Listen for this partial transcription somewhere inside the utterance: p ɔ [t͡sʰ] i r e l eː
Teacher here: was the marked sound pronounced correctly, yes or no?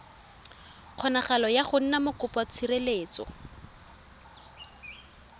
yes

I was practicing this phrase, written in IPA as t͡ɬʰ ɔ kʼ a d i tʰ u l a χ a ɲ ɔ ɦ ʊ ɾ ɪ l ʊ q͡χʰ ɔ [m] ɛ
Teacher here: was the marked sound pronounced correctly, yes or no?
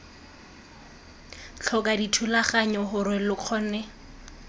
no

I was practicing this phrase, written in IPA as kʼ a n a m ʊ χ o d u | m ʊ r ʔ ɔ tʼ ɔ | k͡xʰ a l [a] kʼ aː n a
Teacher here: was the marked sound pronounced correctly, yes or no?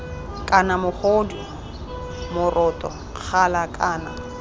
yes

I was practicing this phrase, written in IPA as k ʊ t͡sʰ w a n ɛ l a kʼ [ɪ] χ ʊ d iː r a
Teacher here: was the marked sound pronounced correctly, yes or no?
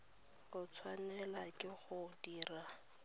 yes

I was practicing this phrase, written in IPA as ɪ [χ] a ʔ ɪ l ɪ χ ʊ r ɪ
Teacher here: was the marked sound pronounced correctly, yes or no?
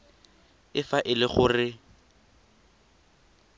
no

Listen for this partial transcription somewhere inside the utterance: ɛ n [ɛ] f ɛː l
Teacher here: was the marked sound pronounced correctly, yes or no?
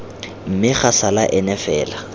yes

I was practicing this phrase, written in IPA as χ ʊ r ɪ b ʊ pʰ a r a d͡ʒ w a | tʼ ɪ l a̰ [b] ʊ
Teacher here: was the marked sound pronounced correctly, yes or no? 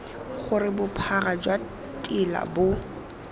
yes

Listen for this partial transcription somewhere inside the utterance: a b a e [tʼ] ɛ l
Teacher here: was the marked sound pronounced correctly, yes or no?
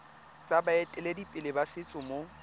yes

